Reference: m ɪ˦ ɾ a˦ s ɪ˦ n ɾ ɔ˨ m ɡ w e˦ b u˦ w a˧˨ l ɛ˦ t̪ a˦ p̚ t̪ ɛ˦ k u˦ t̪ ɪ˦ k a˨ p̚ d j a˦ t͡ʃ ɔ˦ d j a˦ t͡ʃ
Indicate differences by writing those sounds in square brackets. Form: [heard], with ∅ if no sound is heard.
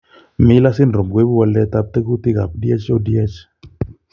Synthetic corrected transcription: m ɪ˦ [l] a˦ s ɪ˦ n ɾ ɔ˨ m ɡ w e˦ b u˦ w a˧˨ l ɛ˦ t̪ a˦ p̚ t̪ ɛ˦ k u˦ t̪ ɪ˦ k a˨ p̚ d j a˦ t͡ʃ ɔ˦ d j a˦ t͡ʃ